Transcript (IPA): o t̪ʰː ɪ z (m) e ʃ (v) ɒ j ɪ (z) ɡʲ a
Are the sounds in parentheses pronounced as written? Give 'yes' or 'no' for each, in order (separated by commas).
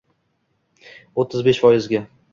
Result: no, no, yes